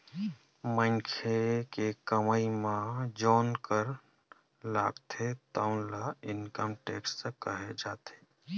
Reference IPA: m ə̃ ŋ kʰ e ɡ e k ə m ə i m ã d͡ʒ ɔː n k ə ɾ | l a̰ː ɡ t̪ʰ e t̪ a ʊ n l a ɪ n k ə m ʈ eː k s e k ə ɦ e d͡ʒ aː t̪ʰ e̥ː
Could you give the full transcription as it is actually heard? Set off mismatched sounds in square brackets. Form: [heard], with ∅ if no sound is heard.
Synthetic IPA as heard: m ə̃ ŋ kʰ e [k] e k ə m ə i m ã d͡ʒ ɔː n k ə ɾ | l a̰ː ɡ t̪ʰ e t̪ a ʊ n l a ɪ n k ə m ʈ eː k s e k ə ɦ e d͡ʒ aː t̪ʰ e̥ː